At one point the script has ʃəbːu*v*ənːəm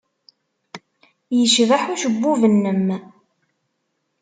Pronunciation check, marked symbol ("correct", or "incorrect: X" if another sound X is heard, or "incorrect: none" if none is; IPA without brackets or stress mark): correct